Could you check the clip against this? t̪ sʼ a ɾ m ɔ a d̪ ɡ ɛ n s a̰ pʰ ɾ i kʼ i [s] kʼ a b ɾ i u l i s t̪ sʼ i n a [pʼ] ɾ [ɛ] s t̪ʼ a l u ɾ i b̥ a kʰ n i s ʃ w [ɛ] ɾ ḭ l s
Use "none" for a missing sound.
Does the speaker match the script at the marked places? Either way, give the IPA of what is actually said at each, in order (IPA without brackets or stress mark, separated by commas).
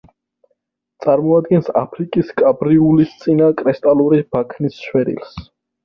s, kʼ, ɛ, ɛ